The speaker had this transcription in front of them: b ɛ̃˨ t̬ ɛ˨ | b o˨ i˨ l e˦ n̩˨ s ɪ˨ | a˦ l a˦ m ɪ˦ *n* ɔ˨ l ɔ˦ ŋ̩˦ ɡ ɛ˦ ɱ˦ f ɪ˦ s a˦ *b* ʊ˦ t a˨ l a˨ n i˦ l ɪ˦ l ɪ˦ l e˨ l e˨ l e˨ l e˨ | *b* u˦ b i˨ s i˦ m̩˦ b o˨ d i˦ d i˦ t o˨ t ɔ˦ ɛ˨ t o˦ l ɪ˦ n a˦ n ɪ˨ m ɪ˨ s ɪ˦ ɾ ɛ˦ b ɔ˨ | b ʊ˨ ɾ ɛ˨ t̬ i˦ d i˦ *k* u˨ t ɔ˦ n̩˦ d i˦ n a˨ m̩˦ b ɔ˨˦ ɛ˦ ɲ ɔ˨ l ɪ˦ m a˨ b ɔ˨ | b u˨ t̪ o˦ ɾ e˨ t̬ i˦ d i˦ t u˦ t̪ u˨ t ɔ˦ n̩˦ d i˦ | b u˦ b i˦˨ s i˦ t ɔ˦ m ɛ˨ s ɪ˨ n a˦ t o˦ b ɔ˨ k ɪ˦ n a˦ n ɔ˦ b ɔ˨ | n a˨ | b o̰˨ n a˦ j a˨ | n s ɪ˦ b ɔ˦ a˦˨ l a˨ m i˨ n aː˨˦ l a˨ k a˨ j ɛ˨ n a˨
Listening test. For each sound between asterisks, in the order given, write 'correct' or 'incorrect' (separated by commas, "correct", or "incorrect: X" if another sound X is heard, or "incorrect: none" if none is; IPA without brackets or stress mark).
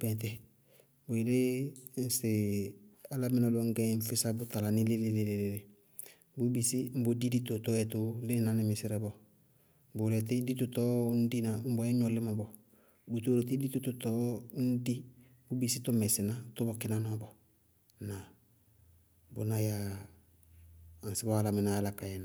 correct, correct, correct, incorrect: t